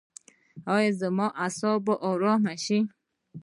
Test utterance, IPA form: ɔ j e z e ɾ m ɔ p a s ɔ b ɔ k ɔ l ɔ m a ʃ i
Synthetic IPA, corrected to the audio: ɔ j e z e m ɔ ʔ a s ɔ b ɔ ʔ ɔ ɾ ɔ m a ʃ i